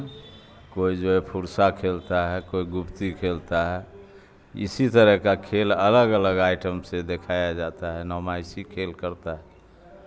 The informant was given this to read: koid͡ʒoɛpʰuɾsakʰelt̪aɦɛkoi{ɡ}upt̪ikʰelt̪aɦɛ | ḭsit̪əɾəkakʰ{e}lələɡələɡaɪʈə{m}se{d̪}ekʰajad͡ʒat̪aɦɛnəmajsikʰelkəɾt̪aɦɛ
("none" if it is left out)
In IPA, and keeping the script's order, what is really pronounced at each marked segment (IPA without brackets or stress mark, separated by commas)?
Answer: ɡ, e, m, d̪